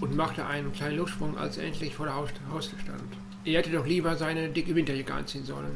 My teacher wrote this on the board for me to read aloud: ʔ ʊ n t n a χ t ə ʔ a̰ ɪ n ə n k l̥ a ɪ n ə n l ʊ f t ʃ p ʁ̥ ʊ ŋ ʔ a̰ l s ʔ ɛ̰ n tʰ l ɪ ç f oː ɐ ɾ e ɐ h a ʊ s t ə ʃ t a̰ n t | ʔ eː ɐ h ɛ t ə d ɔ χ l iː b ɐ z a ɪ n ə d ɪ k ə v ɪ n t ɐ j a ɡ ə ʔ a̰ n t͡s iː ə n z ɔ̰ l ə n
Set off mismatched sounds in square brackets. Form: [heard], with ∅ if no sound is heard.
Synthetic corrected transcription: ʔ ʊ n t [m] a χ t ə ʔ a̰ ɪ n ə n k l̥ a ɪ n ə n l ʊ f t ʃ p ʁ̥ ʊ ŋ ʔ a̰ l s ʔ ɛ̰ n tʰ l ɪ ç f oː ɐ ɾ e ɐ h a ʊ s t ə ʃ t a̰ n t | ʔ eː ɐ h ɛ t ə d ɔ χ l iː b ɐ z a ɪ n ə d ɪ k ə v ɪ n t ɐ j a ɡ ə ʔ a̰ n t͡s iː ə n z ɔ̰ l ə n

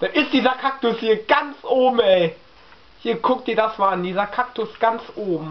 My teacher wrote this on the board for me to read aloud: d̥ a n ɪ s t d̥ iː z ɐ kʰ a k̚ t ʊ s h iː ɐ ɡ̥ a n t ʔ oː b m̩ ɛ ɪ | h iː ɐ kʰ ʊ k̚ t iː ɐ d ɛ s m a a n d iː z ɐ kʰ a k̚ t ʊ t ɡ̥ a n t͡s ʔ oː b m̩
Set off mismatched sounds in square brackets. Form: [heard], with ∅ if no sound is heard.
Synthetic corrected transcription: d̥ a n ɪ s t d̥ iː z ɐ kʰ a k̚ t ʊ s h iː ɐ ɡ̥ a n [t͡s] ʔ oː b m̩ ɛ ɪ | h iː ɐ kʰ ʊ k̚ t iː ɐ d [a] s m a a n d iː z ɐ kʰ a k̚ t ʊ [s] ɡ̥ a n t͡s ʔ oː b m̩

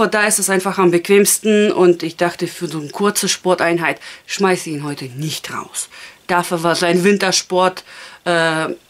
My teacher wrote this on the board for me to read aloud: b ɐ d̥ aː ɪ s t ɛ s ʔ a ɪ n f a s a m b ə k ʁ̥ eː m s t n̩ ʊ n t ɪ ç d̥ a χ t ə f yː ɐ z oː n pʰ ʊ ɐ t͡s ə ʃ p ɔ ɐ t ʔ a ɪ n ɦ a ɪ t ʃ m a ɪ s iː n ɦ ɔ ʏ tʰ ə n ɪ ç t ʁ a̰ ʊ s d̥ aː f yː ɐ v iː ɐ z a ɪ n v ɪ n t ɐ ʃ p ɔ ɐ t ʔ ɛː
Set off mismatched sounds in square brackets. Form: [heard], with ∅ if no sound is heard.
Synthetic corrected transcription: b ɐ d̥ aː ɪ s t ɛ s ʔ a ɪ n f a [χ] a m b ə k [v̥] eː m s t n̩ ʊ n t ɪ ç d̥ a χ t ə f yː ɐ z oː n [kʰ] ʊ ɐ t͡s ə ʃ p ɔ ɐ t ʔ a ɪ n ɦ a ɪ t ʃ m a ɪ s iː n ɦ ɔ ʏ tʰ ə n ɪ ç t ʁ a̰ ʊ s d̥ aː f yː ɐ v [aː] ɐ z a ɪ n v ɪ n t ɐ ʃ p ɔ ɐ t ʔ ɛː

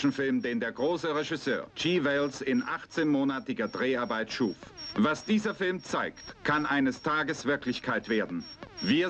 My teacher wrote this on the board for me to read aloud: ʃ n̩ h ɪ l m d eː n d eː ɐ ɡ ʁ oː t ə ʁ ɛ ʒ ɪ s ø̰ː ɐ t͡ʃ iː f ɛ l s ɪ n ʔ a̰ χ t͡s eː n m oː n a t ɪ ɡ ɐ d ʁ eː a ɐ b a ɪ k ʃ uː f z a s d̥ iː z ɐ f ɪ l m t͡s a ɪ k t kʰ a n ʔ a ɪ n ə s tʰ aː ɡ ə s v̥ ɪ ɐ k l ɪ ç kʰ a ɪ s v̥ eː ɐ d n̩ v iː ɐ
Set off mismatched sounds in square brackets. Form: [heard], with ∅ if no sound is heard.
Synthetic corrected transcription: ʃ n̩ [f] ɪ l m d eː n d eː ɐ ɡ ʁ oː [s] ə ʁ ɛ ʒ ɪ s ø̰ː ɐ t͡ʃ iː [v] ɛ l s ɪ n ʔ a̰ χ t͡s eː n m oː n a t ɪ ɡ ɐ d ʁ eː a ɐ b a ɪ [t] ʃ uː f [v] a s d̥ iː z ɐ f ɪ l m t͡s a ɪ k t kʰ a n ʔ a ɪ n ə s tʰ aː ɡ ə s v̥ ɪ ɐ k l ɪ ç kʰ a ɪ [t] v̥ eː ɐ d n̩ v iː ɐ

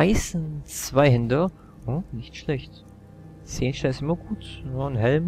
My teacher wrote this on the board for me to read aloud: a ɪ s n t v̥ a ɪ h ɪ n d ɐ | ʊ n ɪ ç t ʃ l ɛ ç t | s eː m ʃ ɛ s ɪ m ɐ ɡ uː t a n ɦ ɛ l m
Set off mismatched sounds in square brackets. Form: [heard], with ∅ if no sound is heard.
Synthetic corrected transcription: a ɪ s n [t͡s] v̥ a ɪ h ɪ n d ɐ | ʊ n ɪ ç t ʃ l ɛ ç t | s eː [n] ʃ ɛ s ɪ m ɐ ɡ uː t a n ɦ ɛ l m

